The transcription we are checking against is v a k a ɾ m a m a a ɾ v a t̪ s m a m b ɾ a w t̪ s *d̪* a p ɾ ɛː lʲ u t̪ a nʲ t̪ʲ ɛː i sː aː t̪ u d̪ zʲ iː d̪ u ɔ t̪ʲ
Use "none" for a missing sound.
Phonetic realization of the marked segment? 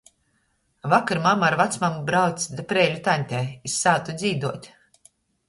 d̪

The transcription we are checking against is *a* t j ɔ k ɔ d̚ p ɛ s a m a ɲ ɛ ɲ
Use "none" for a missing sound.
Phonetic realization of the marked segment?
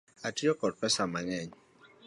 a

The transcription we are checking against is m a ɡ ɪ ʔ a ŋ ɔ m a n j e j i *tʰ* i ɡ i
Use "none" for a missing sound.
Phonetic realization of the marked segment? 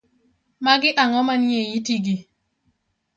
t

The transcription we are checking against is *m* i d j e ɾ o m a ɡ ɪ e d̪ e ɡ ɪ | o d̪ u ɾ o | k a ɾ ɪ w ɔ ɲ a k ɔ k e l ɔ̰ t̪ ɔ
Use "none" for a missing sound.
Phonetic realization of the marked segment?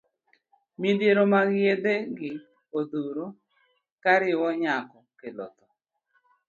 m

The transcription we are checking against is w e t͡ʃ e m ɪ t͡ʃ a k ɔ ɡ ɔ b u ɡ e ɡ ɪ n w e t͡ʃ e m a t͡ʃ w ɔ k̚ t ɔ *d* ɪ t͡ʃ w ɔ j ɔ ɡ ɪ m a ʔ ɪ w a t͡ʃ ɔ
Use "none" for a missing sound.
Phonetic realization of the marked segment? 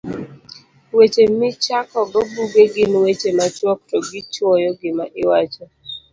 ɡ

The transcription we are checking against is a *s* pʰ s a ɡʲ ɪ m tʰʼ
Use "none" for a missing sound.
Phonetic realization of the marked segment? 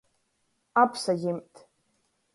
none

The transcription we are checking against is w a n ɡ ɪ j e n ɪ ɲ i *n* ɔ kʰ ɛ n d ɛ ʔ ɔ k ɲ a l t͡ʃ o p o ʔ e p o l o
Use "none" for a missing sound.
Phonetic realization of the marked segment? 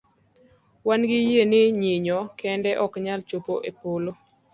ɲ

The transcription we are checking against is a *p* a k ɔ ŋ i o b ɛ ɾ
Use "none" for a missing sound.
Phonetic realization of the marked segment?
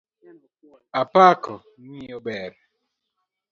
p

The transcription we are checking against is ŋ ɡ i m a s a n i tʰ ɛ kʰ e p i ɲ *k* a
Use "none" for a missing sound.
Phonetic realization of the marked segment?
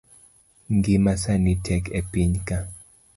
k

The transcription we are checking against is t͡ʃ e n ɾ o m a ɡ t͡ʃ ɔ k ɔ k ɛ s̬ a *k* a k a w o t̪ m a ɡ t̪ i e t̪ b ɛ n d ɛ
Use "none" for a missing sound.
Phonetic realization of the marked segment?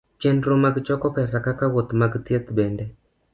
k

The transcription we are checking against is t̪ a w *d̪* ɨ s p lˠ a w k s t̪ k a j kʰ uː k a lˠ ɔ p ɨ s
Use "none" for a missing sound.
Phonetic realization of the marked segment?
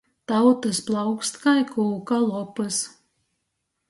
t̪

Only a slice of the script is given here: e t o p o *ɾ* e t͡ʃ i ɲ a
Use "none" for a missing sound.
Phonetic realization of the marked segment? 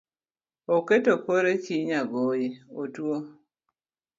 ɾ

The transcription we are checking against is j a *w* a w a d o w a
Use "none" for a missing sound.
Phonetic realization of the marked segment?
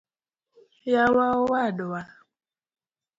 w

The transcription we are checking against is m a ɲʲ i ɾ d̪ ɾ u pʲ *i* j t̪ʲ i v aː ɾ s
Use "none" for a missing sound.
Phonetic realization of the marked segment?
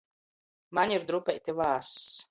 ɛ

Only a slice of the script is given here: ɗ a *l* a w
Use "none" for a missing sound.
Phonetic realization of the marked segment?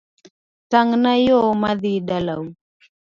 l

